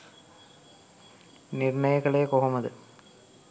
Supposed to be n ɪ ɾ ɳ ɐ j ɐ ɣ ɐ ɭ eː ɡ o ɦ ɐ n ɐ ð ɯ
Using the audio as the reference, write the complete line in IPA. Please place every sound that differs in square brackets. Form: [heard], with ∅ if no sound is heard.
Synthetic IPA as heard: n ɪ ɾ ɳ ɐ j ɐ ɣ ɐ ɭ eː [k] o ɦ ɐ [m] ɐ ð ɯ